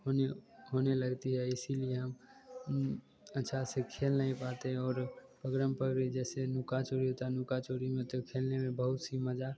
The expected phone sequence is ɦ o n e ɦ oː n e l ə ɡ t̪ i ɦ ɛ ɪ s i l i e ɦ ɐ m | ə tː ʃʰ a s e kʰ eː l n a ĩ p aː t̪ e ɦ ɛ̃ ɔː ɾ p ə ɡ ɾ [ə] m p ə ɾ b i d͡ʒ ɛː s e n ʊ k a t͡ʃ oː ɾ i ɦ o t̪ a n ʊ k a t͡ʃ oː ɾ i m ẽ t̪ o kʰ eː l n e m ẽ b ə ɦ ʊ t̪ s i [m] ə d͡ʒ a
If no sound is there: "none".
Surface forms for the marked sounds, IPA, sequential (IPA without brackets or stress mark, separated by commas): ə, m